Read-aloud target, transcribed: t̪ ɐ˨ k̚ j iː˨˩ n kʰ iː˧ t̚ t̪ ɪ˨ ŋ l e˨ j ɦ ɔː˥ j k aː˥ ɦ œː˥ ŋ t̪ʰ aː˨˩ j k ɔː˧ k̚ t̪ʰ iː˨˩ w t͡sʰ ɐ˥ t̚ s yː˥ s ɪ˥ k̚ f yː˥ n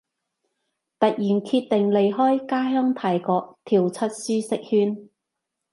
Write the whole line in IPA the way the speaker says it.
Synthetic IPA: t̪ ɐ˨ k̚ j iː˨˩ n kʰ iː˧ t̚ t̪ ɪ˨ ŋ l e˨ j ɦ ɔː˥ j k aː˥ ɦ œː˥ ŋ t̪ʰ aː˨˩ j k ɔː˧ k̚ t̪ʰ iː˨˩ w t͡sʰ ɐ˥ t̚ s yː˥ s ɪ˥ k̚ h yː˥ n